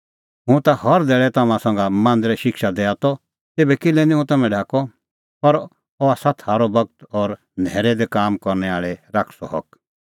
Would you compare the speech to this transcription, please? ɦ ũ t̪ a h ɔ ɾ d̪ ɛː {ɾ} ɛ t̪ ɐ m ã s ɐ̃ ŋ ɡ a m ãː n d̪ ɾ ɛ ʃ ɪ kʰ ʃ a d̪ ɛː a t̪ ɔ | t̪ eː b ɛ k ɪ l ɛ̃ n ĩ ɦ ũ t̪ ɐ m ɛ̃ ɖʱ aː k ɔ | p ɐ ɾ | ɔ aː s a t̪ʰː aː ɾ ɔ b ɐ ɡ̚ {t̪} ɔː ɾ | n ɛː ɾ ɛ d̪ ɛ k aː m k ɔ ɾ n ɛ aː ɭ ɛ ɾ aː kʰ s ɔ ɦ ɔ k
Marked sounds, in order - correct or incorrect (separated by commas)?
incorrect, correct